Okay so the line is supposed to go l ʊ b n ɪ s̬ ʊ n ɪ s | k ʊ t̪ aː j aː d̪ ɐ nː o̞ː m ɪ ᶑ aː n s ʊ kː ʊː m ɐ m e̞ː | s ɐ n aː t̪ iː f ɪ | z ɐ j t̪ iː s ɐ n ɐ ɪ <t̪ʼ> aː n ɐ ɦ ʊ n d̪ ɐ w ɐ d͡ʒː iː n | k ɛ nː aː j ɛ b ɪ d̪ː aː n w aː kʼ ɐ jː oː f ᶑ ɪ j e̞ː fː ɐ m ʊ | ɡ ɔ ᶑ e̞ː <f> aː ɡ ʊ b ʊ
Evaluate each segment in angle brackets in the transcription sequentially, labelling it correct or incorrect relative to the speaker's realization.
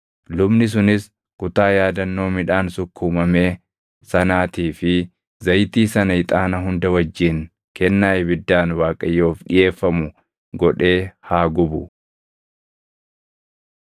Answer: correct, incorrect: h

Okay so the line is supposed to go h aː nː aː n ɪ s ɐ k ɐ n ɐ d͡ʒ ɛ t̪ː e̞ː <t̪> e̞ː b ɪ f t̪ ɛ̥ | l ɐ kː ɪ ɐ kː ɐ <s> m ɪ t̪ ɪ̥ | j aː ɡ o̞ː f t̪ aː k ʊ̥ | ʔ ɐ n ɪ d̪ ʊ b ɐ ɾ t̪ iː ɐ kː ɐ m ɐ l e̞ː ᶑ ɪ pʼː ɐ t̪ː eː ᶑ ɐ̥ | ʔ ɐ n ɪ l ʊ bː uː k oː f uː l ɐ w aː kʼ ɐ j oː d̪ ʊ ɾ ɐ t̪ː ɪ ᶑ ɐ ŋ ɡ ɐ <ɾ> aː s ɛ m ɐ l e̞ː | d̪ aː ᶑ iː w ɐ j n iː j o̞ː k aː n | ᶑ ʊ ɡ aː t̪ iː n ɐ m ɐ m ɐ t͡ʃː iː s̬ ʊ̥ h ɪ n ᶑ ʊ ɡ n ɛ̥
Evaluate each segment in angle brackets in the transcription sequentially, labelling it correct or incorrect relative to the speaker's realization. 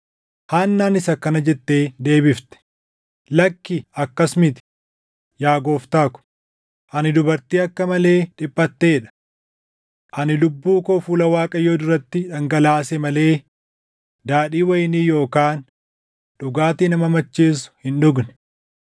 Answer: incorrect: d̪, correct, incorrect: l

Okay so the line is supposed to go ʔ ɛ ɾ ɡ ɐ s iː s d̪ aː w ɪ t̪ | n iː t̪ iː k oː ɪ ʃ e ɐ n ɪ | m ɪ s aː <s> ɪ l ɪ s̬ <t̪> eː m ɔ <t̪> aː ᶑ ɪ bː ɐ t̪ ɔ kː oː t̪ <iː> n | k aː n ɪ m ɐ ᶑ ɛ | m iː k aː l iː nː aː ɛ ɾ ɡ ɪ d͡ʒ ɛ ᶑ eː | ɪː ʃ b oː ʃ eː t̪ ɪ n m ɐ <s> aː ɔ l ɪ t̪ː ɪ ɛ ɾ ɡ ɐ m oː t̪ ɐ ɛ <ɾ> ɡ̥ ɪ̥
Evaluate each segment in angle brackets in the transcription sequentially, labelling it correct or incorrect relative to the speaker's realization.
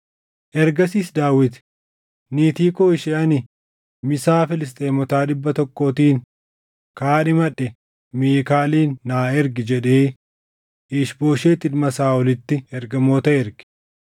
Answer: incorrect: f, incorrect: t̪ʼ, correct, correct, correct, correct

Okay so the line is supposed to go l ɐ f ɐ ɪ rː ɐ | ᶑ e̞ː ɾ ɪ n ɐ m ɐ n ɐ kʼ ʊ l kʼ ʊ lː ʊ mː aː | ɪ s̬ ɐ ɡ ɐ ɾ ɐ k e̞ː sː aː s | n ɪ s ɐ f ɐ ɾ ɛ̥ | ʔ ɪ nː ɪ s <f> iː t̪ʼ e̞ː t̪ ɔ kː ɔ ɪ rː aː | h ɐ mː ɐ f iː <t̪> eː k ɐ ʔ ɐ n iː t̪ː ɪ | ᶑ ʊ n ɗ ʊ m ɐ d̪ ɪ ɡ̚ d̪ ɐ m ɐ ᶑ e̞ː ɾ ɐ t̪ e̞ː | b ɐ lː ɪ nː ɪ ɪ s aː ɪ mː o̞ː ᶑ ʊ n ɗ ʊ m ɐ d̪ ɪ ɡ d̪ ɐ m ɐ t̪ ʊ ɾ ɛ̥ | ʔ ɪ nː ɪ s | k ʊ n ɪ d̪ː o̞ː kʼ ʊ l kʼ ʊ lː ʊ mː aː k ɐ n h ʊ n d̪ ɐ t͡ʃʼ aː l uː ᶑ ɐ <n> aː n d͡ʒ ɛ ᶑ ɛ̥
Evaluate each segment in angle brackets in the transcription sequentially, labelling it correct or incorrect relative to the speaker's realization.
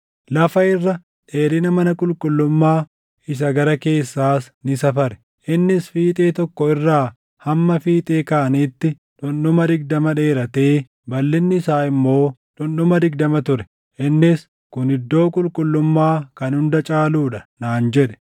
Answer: correct, incorrect: t̪ʼ, correct

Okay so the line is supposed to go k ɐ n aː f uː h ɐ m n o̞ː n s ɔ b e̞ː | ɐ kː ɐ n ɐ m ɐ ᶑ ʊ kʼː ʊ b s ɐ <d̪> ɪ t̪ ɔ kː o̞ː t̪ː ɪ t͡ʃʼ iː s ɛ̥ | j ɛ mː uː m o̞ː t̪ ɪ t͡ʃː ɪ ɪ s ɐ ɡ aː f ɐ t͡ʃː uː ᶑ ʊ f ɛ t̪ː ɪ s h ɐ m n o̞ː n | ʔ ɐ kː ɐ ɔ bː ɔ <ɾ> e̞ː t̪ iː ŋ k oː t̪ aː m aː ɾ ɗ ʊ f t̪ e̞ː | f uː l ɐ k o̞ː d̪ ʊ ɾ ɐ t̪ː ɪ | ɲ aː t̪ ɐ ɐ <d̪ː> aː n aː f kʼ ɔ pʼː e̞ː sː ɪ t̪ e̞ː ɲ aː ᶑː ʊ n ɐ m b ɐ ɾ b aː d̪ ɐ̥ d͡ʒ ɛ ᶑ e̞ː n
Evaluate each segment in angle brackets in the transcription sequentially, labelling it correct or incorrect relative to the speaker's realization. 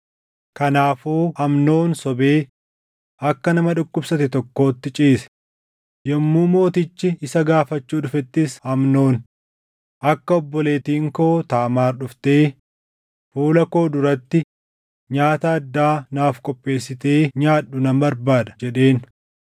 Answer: incorrect: t̪, incorrect: l, correct

